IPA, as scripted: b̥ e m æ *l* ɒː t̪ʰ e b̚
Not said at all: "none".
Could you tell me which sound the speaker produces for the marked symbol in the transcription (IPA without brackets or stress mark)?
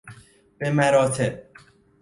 ɾ